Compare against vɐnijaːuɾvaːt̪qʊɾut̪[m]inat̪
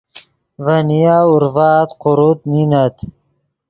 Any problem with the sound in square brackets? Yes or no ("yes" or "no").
yes